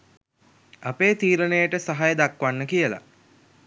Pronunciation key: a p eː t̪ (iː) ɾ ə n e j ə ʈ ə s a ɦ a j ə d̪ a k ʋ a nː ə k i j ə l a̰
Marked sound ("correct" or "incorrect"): correct